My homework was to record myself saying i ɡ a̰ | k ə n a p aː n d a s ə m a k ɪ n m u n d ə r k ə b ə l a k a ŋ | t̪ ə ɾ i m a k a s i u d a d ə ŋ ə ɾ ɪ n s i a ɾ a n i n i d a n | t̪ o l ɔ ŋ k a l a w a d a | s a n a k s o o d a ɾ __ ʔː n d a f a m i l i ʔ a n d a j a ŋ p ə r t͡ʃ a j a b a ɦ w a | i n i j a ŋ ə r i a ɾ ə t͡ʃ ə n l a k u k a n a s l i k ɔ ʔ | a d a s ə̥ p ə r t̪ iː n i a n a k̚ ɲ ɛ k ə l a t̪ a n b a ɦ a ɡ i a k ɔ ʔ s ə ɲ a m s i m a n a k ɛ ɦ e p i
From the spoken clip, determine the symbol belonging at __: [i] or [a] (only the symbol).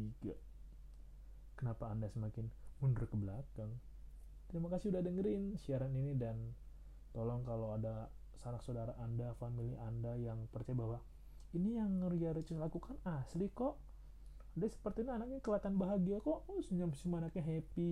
a